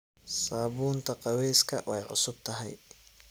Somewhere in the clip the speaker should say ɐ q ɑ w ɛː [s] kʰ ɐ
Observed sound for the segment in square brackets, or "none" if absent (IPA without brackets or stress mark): s